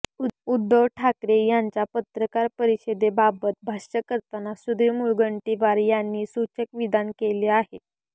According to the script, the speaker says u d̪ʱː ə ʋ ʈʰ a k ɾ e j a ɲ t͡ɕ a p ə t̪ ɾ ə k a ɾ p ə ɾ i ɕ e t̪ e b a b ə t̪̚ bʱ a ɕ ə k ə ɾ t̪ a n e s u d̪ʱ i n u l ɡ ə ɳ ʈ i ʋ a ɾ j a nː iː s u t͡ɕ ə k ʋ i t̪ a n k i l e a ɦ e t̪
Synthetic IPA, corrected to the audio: u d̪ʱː ə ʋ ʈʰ a k ɾ e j a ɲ t͡ɕ a p ə t̪ ɾ ə k a ɾ p ə ɾ i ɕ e d̪ e b a b ə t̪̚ bʱ a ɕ ə k ə ɾ t̪ a n a s u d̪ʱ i m u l ɡ ə ɳ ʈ i ʋ a ɾ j a nː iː s u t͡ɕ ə k ʋ i d̪ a n k e l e a ɦ e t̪